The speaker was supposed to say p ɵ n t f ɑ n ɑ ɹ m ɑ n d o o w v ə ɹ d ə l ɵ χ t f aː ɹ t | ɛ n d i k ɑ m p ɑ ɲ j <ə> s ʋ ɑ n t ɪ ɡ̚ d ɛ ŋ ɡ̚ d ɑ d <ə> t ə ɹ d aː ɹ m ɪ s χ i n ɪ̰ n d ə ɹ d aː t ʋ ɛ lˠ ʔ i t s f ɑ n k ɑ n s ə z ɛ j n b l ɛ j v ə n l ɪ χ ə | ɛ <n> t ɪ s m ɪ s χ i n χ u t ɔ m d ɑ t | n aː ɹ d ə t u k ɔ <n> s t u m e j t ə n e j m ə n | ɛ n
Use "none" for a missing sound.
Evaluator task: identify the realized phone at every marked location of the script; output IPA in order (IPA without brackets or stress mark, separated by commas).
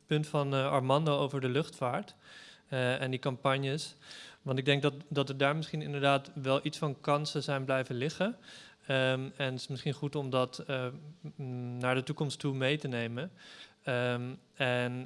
ə, ɑ, n, m